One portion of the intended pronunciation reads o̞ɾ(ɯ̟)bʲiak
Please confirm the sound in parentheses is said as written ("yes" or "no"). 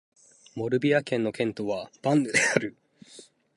yes